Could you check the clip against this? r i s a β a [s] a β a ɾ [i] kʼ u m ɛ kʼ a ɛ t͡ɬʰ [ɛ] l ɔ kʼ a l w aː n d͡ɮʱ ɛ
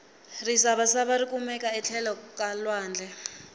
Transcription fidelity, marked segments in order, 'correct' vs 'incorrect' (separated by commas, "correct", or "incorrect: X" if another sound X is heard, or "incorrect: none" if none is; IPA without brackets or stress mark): correct, correct, correct